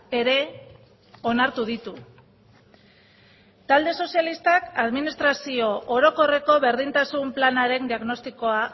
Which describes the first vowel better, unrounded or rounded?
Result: unrounded